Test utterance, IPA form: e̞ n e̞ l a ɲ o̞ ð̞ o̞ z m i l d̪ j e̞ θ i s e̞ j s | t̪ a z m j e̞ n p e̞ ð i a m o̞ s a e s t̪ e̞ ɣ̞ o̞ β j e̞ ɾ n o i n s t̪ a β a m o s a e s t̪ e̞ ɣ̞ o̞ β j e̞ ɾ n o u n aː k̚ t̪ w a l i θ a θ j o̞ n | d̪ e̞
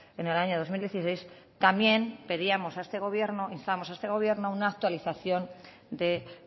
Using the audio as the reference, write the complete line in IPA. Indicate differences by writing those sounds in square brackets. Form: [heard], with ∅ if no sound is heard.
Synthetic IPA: e̞ n e̞ l a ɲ o̞ ð̞ o̞ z m i l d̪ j e̞ θ i s e̞ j s | t̪ a [∅] m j e̞ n p e̞ ð i a m o̞ s a e s t̪ e̞ ɣ̞ o̞ β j e̞ ɾ n o i n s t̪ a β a m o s a e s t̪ e̞ ɣ̞ o̞ β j e̞ ɾ n o u n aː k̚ t̪ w a l i θ a θ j o̞ n | d̪ e̞